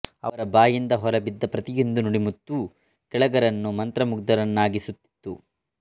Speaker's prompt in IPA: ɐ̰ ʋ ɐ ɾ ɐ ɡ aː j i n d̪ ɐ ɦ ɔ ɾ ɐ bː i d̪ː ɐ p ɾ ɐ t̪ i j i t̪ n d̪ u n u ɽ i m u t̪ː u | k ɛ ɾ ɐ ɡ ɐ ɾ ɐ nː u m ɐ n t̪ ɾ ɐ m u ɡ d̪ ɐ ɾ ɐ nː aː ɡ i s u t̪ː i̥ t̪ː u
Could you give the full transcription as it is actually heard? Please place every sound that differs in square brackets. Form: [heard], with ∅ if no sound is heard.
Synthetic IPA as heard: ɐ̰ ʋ ɐ ɾ ɐ [b] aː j i n d̪ ɐ ɦ ɔ ɾ ɐ [b] i d̪ː ɐ p ɾ ɐ t̪ i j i [∅] n d̪ u n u ɽ i m u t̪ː u | k ɛ [ɭ] ɐ ɡ ɐ ɾ ɐ nː u m ɐ n t̪ ɾ ɐ m u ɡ d̪ ɐ ɾ ɐ nː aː ɡ i s u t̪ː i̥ t̪ː u